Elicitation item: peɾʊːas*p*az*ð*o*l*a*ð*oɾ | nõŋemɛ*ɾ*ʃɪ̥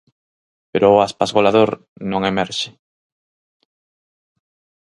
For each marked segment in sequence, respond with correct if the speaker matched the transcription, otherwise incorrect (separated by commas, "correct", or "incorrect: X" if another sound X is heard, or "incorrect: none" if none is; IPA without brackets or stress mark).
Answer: correct, incorrect: ɣ, correct, correct, correct